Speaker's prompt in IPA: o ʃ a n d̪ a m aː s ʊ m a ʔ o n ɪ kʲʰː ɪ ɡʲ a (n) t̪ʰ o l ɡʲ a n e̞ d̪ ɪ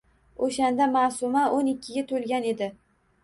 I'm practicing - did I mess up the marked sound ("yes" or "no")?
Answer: yes